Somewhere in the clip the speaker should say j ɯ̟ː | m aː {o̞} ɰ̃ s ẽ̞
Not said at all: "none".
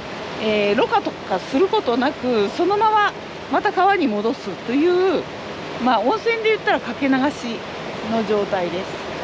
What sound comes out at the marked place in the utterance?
õ̞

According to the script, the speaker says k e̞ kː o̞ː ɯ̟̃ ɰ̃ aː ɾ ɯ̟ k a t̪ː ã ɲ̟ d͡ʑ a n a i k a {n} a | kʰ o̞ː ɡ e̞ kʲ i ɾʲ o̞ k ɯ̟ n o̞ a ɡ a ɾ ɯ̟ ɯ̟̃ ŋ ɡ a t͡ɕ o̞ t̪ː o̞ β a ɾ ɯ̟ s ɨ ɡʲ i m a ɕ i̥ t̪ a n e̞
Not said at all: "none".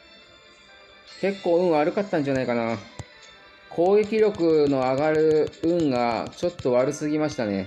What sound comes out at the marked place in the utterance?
n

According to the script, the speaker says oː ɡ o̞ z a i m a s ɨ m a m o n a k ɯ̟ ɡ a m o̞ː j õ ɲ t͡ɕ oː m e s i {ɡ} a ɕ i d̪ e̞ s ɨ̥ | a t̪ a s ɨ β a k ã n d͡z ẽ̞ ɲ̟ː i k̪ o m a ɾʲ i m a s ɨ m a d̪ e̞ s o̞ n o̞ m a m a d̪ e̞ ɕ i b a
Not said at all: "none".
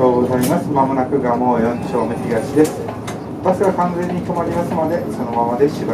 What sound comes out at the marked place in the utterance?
ɡ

